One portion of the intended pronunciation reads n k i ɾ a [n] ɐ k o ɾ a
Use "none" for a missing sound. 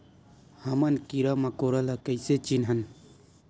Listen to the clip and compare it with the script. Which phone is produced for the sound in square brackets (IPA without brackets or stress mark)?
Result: m